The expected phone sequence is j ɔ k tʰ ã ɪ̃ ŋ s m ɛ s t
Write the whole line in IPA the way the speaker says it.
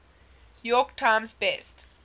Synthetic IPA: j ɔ k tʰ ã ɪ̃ m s b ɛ s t